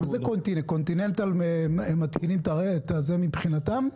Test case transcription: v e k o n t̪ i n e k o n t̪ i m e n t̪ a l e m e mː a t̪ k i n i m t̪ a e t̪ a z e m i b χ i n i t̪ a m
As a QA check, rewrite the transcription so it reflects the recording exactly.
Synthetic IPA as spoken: z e k o n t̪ i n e k o n t̪ i n e n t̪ a l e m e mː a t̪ k i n i m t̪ a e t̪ a z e m i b χ i n a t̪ a m